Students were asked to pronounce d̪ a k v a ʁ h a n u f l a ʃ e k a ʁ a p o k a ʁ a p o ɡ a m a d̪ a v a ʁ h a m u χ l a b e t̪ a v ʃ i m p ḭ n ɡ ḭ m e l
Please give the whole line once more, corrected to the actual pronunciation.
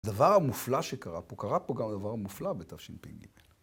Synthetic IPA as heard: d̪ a v a ʁ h a m u f l a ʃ e k a ʁ a p o k a ʁ a p o ɡ a m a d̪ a v a ʁ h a m u f l a b e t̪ a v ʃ i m p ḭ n ɡ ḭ m e l